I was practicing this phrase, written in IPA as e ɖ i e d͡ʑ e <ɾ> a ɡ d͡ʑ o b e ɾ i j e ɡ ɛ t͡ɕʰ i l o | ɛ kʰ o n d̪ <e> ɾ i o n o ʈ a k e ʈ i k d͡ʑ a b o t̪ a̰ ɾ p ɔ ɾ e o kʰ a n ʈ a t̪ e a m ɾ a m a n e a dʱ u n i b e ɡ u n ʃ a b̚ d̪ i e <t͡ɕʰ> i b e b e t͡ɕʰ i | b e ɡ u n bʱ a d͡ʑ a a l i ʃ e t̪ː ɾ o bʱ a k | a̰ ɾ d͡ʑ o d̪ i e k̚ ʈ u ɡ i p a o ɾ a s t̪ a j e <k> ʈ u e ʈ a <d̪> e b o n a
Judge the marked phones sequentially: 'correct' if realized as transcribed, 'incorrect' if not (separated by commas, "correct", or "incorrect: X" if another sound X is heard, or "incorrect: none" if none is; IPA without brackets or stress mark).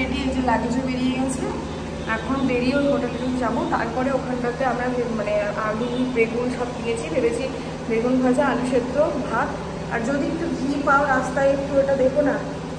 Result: incorrect: l, correct, correct, correct, correct